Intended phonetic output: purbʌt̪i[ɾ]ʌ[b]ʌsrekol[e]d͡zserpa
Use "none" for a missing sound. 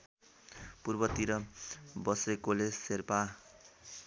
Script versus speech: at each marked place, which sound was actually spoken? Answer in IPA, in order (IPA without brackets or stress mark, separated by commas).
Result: ɾ, b, e